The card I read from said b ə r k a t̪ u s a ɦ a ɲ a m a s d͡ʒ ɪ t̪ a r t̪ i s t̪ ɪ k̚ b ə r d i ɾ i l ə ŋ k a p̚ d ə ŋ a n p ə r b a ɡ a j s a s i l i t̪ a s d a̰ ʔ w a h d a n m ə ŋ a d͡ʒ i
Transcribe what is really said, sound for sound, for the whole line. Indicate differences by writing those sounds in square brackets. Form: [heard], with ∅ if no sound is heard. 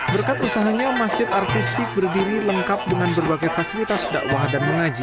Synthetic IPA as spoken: b ə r k a t̪ u s a ɦ a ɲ a m a s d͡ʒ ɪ t̪ a r t̪ i s t̪ ɪ k̚ b ə r d i ɾ i l ə ŋ k a p̚ d ə ŋ a n [b] ə r b a ɡ a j [f] a s i l i t̪ a s d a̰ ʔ w a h d a n m ə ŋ a d͡ʒ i